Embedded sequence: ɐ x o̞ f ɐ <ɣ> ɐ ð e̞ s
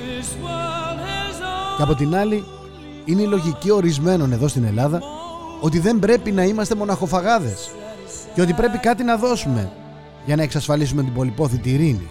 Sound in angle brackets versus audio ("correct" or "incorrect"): correct